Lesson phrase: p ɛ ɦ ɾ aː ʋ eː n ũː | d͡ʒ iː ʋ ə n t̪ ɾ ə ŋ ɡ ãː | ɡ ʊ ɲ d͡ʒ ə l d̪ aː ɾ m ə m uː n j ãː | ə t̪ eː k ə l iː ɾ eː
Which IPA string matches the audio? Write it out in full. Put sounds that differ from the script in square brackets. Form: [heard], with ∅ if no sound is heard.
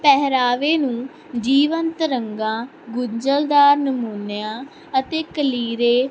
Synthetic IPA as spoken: p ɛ ɦ ɾ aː ʋ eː n ũː | d͡ʒ iː ʋ ə n t̪ ɾ ə ŋ ɡ ãː | ɡ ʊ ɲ d͡ʒ ə l d̪ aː ɾ [n] ə m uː n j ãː | ə t̪ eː k ə l iː ɾ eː